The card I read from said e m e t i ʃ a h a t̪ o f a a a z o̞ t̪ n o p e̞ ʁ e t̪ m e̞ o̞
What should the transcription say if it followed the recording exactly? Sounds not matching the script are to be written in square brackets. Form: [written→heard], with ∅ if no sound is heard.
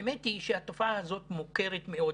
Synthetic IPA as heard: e m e t i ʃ [a→e] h a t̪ o f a a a z o̞ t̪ [n→m] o [p→k] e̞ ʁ e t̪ m e̞ o̞